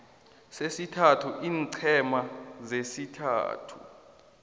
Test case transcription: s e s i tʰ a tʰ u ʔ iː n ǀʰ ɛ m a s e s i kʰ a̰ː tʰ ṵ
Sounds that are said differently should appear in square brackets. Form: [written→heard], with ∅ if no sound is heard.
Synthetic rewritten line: s e s i tʰ a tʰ u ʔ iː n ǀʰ ɛ m a [s→z] e s i [kʰ→tʰ] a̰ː tʰ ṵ